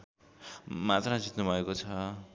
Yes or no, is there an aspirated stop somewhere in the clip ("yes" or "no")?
yes